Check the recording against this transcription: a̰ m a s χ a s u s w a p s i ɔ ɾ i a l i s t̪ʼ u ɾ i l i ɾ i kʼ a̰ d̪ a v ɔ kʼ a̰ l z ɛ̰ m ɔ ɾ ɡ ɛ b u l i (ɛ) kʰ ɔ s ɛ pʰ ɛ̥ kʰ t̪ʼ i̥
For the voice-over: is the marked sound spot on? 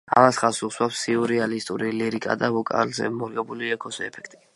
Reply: yes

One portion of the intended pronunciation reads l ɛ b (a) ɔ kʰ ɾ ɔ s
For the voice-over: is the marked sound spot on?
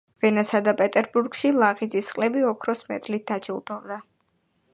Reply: no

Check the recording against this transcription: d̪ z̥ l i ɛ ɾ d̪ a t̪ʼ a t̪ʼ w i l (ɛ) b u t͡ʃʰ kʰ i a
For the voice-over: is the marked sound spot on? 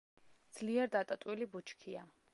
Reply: no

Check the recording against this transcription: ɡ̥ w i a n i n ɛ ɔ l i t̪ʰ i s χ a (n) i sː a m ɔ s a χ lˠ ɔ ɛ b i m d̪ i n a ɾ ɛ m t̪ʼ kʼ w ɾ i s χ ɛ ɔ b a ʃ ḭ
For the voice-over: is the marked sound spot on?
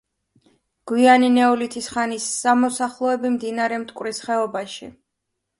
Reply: yes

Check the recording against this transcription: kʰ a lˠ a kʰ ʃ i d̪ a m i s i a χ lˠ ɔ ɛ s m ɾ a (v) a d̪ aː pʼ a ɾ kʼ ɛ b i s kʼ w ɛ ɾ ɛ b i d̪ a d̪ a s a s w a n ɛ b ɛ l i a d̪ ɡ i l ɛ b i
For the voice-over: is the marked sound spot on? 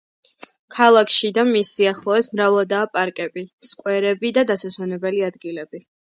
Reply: yes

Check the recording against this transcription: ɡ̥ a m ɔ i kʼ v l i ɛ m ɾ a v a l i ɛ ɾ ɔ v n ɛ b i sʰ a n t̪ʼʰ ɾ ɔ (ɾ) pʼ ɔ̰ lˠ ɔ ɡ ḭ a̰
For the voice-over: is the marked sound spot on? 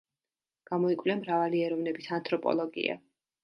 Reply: no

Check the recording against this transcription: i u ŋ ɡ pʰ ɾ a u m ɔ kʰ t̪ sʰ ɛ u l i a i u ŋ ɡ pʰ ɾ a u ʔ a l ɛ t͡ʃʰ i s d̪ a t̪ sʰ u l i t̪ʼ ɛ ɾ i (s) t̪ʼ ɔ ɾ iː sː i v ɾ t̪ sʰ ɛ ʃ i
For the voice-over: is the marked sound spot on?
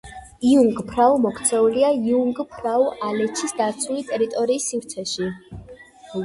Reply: no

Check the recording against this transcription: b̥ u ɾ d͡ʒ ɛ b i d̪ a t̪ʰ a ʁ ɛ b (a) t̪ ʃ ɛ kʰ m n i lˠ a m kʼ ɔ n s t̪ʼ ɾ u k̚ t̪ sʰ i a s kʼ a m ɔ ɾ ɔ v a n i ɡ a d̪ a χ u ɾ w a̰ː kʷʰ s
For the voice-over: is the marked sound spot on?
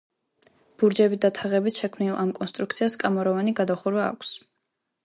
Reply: no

